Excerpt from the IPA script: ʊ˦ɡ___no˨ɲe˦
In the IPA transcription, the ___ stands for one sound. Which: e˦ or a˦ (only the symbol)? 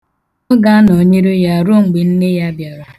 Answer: a˦